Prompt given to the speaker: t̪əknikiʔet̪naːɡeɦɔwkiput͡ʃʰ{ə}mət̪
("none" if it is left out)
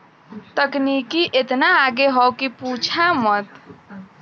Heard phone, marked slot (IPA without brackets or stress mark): a